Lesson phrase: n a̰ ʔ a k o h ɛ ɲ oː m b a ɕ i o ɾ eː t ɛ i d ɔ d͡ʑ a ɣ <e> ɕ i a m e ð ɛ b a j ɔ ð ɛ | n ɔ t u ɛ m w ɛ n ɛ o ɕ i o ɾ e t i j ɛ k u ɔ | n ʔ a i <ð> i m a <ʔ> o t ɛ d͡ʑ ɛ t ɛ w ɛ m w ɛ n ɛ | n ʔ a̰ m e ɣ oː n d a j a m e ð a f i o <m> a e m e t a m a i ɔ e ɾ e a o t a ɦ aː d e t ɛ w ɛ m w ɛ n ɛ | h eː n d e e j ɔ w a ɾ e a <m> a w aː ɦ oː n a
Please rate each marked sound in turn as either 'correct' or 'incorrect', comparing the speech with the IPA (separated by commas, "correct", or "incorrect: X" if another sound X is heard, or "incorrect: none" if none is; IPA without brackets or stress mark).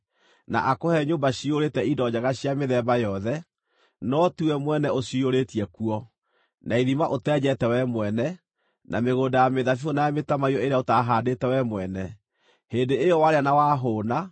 incorrect: a, correct, correct, incorrect: n, incorrect: n